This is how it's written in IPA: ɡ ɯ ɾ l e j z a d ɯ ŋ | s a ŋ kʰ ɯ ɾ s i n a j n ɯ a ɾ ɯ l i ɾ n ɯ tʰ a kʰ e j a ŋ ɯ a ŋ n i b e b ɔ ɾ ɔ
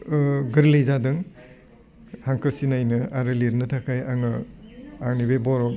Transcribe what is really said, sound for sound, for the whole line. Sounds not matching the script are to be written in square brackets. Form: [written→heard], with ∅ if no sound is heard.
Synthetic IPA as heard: ɡ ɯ ɾ l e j z a d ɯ ŋ | [s→h] a ŋ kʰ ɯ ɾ s i n a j n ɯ a ɾ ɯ l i ɾ n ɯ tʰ a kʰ [e→a] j a ŋ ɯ a ŋ n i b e b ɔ ɾ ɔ